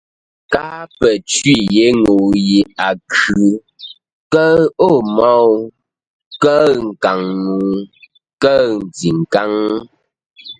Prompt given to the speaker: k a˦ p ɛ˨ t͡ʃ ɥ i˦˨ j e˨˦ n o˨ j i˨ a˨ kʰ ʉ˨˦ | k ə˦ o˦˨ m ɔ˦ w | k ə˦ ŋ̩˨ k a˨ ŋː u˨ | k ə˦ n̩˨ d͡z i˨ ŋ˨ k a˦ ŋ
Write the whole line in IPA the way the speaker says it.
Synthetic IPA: k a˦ p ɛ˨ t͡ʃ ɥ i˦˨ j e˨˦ ŋ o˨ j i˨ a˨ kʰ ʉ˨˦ | k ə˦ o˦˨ m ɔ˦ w | k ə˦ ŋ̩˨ k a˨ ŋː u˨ | k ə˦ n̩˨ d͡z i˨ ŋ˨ k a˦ ŋ